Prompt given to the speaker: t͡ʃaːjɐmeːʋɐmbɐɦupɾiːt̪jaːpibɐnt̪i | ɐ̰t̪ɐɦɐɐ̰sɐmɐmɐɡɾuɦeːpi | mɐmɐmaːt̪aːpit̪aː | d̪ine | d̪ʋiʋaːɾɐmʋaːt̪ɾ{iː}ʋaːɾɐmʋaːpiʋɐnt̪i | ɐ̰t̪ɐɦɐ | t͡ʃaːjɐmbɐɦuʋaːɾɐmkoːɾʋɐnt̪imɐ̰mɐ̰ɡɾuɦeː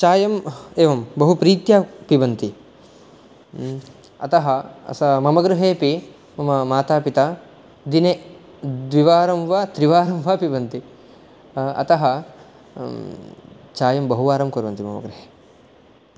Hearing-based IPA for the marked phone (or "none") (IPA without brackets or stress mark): i